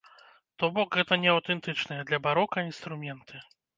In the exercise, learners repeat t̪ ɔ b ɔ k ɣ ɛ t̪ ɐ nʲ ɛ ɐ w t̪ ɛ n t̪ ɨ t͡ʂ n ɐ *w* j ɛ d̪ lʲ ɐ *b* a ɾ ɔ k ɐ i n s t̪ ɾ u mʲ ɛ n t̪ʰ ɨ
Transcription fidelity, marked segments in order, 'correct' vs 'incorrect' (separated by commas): incorrect, correct